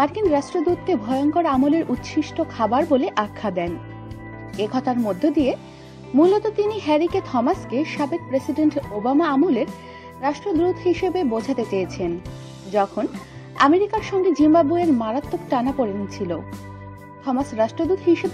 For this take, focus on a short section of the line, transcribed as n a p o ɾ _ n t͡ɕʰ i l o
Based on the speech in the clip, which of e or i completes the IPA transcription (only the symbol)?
e